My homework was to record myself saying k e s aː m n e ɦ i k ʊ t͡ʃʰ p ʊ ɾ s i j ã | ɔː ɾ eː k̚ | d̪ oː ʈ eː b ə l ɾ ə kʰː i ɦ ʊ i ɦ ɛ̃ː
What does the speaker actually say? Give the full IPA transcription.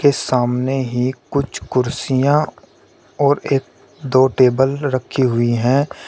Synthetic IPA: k e s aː m n e ɦ i k ʊ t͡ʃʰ k ʊ ɾ s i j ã | ɔː ɾ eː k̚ | d̪ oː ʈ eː b ə l ɾ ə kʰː i ɦ ʊ i ɦ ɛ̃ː